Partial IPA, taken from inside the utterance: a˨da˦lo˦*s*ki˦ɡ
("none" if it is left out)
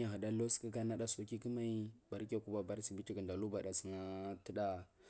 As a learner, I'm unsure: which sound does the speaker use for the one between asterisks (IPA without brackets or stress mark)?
s